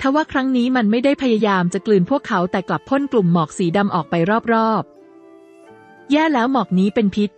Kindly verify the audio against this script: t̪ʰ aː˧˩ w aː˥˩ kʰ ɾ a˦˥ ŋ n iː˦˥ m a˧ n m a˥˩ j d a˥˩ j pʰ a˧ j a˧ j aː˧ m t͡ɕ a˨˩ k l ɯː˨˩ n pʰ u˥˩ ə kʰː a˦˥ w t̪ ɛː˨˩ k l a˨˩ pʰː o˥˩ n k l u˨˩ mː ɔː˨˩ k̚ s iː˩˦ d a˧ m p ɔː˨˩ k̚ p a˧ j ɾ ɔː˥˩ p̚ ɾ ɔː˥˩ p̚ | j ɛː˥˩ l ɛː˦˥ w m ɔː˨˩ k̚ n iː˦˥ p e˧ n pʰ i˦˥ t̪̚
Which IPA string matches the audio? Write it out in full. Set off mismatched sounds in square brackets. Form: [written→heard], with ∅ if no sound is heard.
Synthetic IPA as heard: t̪ʰ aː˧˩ w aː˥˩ kʰ ɾ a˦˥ ŋ n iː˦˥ m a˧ n m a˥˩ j d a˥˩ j pʰ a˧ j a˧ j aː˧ m t͡ɕ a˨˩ k l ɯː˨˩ n pʰ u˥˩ ə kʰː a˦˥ w t̪ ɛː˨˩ k l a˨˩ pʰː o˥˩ n k l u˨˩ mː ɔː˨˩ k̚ s iː˩˦ d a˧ m [p→ʔ] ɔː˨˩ k̚ p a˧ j ɾ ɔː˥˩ p̚ ɾ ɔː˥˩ p̚ | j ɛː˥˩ l ɛː˦˥ w m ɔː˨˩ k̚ n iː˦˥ p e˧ n pʰ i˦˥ t̪̚